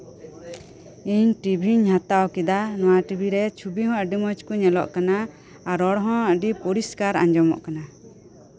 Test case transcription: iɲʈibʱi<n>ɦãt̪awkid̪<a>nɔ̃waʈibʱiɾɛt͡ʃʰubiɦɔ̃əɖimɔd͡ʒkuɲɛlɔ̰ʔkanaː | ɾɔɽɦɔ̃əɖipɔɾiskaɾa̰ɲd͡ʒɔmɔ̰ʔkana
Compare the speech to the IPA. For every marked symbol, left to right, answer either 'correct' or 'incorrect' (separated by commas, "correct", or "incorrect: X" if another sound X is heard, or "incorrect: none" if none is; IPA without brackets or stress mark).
incorrect: ɲ, correct